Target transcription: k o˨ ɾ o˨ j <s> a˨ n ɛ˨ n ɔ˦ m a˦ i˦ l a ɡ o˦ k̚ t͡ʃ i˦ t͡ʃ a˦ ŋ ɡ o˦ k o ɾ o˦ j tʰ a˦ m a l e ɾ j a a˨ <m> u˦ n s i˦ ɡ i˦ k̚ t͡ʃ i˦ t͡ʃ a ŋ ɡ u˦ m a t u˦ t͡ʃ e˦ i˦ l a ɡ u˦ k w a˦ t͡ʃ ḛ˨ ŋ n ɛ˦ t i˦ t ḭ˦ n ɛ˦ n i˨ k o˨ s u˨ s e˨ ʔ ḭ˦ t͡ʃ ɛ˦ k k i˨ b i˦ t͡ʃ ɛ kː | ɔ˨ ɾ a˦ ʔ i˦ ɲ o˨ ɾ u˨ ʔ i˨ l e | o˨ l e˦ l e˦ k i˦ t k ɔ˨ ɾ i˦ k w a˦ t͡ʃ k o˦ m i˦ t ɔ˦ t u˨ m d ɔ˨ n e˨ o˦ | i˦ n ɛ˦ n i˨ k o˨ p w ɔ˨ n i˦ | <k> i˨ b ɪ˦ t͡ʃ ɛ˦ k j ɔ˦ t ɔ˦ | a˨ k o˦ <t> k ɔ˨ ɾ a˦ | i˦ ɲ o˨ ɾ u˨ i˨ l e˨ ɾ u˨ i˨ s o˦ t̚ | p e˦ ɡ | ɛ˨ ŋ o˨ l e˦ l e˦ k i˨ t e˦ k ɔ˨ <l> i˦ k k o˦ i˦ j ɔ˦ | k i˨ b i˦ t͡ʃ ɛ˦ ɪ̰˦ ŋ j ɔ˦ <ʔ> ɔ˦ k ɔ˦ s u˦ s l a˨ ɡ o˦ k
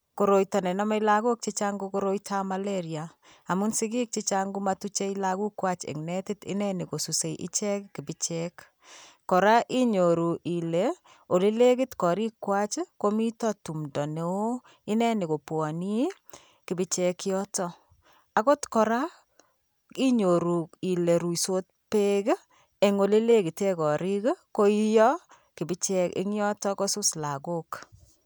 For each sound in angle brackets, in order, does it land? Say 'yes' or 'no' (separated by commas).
no, yes, yes, yes, no, no